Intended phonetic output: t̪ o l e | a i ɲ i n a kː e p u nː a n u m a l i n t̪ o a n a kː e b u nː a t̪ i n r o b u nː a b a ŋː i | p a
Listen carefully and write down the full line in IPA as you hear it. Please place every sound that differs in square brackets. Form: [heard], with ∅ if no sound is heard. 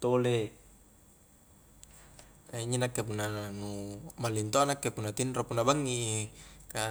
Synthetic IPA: t̪ o l e | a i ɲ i n a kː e p u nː a n u m a l i n t̪ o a n a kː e [p] u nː a t̪ i n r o [p] u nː a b a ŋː i | [k] a